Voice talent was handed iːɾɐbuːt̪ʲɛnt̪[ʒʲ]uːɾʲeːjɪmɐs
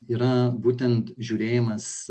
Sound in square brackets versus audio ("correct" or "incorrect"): correct